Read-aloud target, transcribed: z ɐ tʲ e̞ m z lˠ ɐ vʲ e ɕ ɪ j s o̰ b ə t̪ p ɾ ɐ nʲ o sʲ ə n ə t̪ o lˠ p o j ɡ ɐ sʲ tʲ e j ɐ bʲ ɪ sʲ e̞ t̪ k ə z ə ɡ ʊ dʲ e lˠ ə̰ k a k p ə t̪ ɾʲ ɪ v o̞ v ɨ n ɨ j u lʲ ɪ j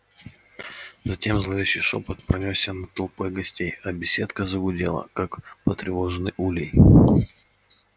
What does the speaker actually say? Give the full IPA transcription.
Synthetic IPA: z ɐ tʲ e̞ m z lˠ ɐ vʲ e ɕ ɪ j ʂ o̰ p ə t̪ p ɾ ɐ nʲ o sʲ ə n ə t̪ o lˠ p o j ɡ ɐ sʲ tʲ e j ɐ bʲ ɪ sʲ e̞ t̪ k ə z ə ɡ ʊ dʲ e lˠ ə̰ k a k p ə t̪ ɾʲ ɪ v o̞ ʐ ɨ n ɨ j u lʲ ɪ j

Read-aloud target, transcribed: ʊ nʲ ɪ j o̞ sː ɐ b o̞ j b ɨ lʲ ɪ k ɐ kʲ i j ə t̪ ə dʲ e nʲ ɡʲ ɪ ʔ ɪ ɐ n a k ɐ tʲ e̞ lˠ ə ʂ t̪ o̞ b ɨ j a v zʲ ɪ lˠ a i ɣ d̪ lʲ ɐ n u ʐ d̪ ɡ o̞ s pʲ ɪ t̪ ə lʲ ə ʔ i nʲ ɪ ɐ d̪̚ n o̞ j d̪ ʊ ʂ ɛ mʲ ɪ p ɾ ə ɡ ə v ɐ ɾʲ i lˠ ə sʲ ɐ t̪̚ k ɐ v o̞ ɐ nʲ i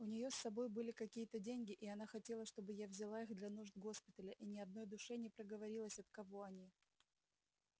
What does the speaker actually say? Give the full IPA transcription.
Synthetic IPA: ʊ nʲ ɪ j o̞ sː ɐ b o̞ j b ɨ lʲ ɪ k ɐ kʲ i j ə t̪ ə dʲ e nʲ ɡʲ ɪ ʔ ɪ ɐ n a x ɐ tʲ e̞ lˠ ə ʂ t̪ o̞ b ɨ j a v zʲ ɪ lˠ a i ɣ d̪ lʲ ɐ n u ʐ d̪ ɡ o̞ s pʲ ɪ t̪ ə lʲ ə ʔ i nʲ ɪ ɐ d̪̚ n o̞ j d̪ ʊ ʂ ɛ nʲ ɪ p ɾ ə ɡ ə v ɐ ɾʲ i lˠ ə sʲ ɐ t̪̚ k ɐ v o̞ ɐ nʲ i

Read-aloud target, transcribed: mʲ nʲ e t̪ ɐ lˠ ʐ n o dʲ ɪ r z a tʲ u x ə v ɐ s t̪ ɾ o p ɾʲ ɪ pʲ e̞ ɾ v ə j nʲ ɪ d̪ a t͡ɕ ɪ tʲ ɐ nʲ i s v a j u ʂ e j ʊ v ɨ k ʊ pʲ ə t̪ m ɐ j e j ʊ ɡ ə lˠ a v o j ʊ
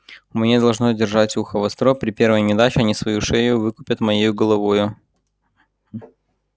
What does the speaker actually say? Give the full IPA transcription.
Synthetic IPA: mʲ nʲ e d̪ ɐ lˠ ʐ n o dʲ ɪ r ʐ a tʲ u x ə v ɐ s t̪ ɾ o p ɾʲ ɪ pʲ e̞ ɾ v ə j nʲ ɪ d̪ a t͡ɕ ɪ ɐ nʲ i s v ɐ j u ʂ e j ʊ v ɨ k ʊ pʲ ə t̪ m ɐ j e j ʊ ɡ ə lˠ ɐ v o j ʊ

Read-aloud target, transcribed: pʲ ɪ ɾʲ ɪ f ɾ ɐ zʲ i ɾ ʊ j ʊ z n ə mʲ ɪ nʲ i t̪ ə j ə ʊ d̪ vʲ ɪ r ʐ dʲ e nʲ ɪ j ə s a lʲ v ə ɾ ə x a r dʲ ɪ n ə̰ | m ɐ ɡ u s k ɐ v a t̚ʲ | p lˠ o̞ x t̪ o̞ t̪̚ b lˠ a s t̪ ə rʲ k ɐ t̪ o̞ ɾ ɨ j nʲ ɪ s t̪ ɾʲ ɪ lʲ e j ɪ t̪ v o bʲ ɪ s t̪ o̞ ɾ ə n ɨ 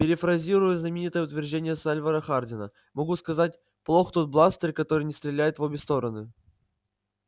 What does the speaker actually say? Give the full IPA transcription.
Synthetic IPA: pʲ ɪ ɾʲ ɪ f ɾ ɐ zʲ i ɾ ʊ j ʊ z n ə mʲ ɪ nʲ i t̪ ə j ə ʊ t̪ vʲ ɪ r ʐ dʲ e nʲ ɪ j ə s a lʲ v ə ɾ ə x a r dʲ ɪ n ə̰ | m ɐ ɡ u s k ɐ z a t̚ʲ | p lˠ o̞ x t̪ o̞ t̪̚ b lˠ a s t̪ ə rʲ k ɐ t̪ o̞ ɾ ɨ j nʲ ɪ s t̪ ɾʲ ɪ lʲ æ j ɪ t̪ v o bʲ ɪ s t̪ o̞ ɾ ə n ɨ

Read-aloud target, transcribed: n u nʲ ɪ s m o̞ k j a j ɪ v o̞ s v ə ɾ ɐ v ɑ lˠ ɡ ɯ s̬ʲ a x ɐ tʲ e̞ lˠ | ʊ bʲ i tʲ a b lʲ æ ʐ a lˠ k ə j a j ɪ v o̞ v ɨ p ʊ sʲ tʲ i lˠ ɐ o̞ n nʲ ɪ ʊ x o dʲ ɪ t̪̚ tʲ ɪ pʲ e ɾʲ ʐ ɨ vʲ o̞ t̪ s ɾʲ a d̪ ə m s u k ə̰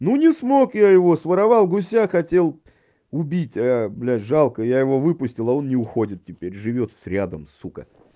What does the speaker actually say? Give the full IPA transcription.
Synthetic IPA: n u nʲ ɪ s m o̞ k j a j ɪ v o̞ s v ə ɾ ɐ v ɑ lˠ ɡ ʊ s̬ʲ a x ɐ tʲ e̞ lˠ | ʊ bʲ i tʲ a b lʲ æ ʐ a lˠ k ə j a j ɪ v o̞ v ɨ p ʊ sʲ tʲ ɪ lˠ ɐ o̞ n nʲ ɪ ʊ x o dʲ ɪ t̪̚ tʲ ɪ pʲ e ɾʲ ʐ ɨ vʲ o̞ t̪ s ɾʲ a d̪ ə m s u k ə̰

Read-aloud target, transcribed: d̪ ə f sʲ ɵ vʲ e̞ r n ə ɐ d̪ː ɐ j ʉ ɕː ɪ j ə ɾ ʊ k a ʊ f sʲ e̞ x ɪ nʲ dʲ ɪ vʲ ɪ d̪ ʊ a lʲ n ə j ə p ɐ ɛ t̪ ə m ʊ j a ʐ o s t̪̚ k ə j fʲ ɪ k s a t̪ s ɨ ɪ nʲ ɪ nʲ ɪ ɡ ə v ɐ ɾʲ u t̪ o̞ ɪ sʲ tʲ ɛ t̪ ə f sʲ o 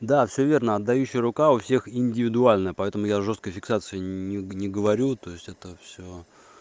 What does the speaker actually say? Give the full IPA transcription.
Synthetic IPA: d̪ a f sʲ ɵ vʲ e̞ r n ə ɐ d̪ː ɐ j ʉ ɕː ɪ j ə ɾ ʊ k a ʊ f sʲ e̞ x ɪ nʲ dʲ ɪ vʲ ɪ d̪ ʊ a lʲ n ə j ə p ɐ ɛ t̪ ə m ʊ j a ʐ o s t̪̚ k ə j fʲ ɪ k s a t̪ s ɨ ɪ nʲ ɪ nʲ ɪ ɡ ə v ɐ ɾʲ u t̪ o̞ ɪ sʲ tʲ ɛ t̪ ə f sʲ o

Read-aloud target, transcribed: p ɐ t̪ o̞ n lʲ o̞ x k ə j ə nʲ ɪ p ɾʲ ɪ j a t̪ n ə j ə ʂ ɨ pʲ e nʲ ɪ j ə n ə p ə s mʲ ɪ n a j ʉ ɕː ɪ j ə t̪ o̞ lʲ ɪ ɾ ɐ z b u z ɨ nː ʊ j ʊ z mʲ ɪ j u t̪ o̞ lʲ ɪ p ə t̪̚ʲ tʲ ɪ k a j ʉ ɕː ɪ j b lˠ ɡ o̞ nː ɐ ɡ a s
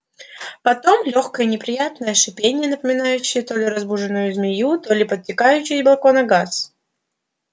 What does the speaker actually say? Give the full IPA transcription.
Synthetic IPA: p ɐ t̪ o̞ m lʲ o̞ x k ə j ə nʲ ɪ p ɾʲ ɪ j a t̪ n ə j ə ʂ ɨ pʲ e nʲ ɪ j ə n ə p ə mʲ ɪ n a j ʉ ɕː ɪ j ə t̪ o̞ lʲ ɪ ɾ ɐ z b u ʐ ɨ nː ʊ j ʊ z mʲ ɪ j u t̪ o̞ lʲ ɪ p ə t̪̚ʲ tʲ ɪ k a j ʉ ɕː ɪ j b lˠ k o̞ n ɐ ɡ a s

